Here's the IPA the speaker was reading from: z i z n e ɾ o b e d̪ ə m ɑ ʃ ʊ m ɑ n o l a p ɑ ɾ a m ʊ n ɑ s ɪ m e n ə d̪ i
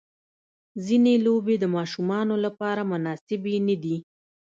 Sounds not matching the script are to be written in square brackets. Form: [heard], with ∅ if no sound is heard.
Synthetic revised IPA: z i [∅] n e [l] o b e d̪ ə m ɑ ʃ [u] m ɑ n o l a p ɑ ɾ a m ʊ n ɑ s ɪ [b] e n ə d̪ i